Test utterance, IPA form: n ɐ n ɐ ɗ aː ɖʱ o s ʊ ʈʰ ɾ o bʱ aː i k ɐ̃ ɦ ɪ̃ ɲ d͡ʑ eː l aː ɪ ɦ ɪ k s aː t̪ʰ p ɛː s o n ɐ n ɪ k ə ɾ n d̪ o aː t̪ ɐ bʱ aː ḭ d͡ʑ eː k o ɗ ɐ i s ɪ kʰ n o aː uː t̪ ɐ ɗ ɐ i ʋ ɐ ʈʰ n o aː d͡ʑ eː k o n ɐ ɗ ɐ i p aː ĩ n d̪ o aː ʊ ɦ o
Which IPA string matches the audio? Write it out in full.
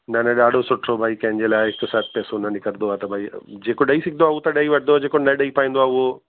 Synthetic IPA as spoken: n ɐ n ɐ ɗ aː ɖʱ o s ʊ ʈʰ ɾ o bʱ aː i k ɐ̃ ɦ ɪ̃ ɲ d͡ʑ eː l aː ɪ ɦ ɪ k s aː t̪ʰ p ɛː s o n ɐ n ɪ k ə ɾ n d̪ o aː t̪ ɐ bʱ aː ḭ d͡ʑ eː k o ɗ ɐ i s ɪ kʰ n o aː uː t̪ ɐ ɗ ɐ i ʋ ɐ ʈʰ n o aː d͡ʑ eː k o n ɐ ɗ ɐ i p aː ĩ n d̪ o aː ʊ ɦ o